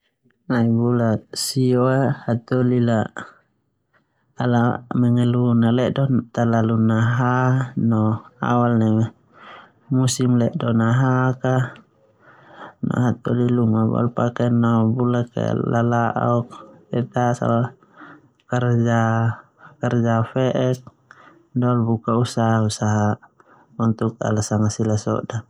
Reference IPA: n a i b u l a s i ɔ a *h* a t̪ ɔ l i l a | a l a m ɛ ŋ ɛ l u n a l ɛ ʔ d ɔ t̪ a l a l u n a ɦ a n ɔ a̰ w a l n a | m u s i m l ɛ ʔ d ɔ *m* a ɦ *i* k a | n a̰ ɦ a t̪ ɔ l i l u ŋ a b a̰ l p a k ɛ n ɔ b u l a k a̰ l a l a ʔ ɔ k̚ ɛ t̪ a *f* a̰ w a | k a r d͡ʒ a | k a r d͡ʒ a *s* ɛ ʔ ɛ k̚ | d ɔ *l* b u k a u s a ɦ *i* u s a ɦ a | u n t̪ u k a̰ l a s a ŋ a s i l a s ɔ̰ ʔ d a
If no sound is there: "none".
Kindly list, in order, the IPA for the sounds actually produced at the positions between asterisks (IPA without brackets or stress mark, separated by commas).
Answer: h, n, a, s, f, l, a